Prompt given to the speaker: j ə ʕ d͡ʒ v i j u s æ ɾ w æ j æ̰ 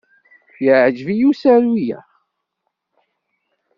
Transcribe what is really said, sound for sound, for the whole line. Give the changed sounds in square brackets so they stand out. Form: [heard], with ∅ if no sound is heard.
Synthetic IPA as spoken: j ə ʕ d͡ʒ v i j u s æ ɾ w [i] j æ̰